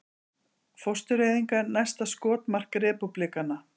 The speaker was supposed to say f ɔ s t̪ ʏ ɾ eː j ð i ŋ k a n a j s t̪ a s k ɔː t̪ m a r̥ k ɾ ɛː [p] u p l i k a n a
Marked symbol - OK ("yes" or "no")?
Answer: yes